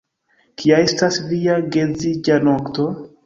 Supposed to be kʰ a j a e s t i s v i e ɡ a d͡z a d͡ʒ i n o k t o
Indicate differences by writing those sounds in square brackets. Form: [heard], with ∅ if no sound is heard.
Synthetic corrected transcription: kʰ [i] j a e s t [a] s v i [a] ɡ [e] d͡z [i] d͡ʒ [a] n o k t o